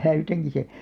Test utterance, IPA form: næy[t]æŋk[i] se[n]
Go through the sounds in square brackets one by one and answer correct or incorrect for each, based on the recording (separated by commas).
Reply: correct, correct, incorrect